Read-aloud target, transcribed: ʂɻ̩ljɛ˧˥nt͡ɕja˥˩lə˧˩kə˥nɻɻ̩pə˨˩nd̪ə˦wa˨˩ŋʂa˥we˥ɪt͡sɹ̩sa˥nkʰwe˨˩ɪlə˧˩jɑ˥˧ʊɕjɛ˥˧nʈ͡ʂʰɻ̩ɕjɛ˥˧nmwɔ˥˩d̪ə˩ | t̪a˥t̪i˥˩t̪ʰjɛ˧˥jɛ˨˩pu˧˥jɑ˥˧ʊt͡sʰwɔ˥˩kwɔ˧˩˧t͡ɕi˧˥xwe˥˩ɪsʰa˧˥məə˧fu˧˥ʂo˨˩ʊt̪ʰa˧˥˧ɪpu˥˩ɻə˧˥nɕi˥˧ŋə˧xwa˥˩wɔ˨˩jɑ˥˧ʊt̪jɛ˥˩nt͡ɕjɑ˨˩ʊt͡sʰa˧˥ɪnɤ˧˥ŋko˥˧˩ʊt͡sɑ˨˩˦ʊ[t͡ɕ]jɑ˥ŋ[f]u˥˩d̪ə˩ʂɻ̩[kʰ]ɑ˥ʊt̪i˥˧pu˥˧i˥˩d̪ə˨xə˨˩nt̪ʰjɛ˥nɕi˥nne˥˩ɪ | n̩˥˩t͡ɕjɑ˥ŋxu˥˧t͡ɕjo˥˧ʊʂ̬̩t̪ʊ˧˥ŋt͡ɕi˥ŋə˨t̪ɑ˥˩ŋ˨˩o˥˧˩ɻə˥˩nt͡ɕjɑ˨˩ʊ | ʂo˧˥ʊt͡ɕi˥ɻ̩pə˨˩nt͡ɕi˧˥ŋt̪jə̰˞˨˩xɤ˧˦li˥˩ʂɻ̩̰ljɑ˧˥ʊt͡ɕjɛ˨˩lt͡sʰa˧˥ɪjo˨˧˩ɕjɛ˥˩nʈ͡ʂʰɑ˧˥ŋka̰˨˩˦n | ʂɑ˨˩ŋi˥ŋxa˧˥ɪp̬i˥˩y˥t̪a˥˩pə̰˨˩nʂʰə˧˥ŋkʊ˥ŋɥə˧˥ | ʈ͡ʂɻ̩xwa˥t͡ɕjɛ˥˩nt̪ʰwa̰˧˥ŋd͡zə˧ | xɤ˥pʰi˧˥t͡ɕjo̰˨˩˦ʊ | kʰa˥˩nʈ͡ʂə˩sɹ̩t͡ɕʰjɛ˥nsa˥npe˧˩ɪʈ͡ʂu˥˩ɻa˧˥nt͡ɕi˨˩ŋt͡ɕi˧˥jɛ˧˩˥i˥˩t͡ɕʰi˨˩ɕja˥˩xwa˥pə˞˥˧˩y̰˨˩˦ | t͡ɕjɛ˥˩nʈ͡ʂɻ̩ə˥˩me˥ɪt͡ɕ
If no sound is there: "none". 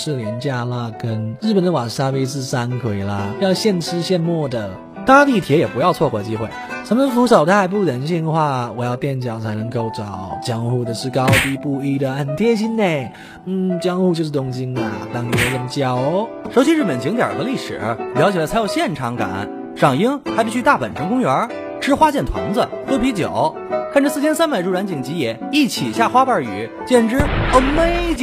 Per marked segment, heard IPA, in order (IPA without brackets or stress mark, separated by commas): t͡ɕ, x, k